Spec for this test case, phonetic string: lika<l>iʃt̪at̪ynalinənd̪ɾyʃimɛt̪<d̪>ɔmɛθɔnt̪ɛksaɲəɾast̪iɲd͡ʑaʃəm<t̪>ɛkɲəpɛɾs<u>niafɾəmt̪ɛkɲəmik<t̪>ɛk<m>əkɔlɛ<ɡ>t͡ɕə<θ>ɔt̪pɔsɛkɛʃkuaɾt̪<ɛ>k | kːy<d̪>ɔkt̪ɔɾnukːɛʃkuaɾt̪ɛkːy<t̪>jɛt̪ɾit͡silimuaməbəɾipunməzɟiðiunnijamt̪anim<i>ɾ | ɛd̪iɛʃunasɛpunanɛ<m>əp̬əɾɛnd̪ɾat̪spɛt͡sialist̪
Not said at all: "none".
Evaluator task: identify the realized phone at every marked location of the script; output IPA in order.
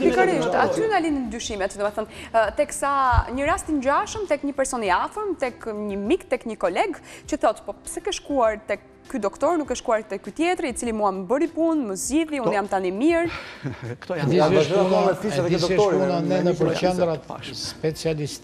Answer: ɾ, d̪, t̪, ɔ, t̪, ɲ, ɡ, θ, ɛ, d̪, t̪, i, n

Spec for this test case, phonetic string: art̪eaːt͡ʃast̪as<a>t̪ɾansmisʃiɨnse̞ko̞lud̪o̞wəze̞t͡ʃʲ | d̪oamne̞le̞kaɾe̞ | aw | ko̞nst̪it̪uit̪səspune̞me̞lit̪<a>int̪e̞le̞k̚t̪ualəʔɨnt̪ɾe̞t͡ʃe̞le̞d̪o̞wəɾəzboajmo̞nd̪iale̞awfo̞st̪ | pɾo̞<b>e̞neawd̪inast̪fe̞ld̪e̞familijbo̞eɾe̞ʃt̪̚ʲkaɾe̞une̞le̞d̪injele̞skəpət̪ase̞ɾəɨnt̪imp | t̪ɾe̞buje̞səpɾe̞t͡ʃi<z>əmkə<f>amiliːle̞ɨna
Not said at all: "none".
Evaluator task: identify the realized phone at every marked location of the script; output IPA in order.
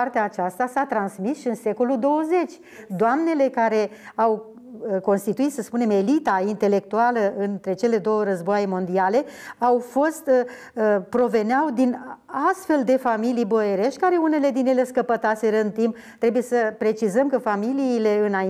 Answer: a, a, v, z, f

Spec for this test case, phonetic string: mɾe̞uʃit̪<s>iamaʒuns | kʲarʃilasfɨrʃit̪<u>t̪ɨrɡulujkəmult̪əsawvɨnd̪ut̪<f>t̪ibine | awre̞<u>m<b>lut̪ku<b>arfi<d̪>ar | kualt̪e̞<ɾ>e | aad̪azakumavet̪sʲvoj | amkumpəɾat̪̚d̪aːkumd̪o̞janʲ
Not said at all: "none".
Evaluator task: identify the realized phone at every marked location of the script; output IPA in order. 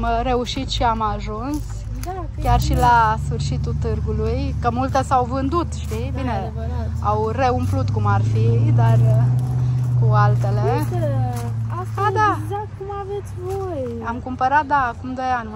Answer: ʃ, u, ʃ, u, p, m, d̪, l

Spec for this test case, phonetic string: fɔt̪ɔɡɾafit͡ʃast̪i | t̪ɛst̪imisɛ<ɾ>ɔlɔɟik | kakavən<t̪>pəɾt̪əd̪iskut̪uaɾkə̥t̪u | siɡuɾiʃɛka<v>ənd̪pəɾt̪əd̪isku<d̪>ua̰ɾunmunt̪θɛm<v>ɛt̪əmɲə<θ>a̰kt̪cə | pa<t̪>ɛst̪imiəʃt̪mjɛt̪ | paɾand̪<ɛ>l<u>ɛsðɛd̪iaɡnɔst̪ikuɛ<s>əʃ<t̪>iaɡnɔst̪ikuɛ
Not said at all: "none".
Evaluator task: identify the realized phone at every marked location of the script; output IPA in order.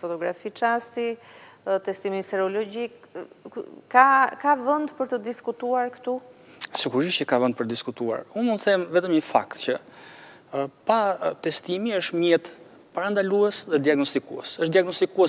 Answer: ɾ, d̪, v, t̪, v, f, t̪, a, u, s, d̪

